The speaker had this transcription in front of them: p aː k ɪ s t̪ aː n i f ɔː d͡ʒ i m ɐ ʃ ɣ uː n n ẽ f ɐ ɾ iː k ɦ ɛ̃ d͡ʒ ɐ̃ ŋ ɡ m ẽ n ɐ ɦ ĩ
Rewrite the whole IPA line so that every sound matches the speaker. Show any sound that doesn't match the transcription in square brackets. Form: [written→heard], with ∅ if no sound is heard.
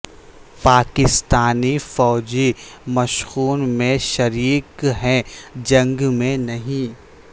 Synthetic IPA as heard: p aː k ɪ s t̪ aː n i f ɔː d͡ʒ i m ɐ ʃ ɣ uː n [n→m] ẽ [f→ʃ] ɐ ɾ iː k ɦ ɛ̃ d͡ʒ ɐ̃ ŋ ɡ m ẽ n ɐ ɦ ĩ